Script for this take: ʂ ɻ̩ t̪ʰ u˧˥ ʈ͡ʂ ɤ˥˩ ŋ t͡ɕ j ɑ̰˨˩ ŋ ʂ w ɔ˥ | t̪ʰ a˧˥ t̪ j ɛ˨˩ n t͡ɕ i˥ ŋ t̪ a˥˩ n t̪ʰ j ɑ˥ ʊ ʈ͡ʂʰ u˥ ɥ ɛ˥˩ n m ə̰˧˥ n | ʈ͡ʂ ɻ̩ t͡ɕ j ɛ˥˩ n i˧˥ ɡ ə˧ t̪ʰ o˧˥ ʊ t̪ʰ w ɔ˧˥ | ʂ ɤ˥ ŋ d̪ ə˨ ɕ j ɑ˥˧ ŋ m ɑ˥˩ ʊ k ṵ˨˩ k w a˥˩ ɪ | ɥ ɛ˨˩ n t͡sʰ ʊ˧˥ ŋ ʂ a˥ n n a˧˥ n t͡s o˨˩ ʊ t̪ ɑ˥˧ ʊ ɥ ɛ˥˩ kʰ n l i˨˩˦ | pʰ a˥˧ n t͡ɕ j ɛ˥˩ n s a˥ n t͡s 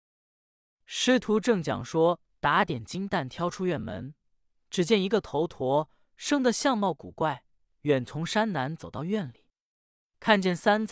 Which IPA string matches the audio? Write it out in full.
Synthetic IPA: ʂ ɻ̩ t̪ʰ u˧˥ ʈ͡ʂ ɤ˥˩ ŋ t͡ɕ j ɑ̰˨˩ ŋ ʂ w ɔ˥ | t̪ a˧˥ t̪ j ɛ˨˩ n t͡ɕ i˥ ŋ t̪ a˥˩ n t̪ʰ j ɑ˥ ʊ ʈ͡ʂʰ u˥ ɥ ɛ˥˩ n m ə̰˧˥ n | ʈ͡ʂ ɻ̩ t͡ɕ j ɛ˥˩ n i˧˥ ɡ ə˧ t̪ʰ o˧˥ ʊ t̪ʰ w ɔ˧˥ | ʂ ɤ˥ ŋ d̪ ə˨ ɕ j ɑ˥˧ ŋ m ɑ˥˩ ʊ k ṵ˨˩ k w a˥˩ ɪ | ɥ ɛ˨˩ n t͡sʰ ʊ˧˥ ŋ ʂ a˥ n n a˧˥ n t͡s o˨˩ ʊ t̪ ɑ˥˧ ʊ ɥ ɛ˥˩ n l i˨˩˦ | kʰ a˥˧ n t͡ɕ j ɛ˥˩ n s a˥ n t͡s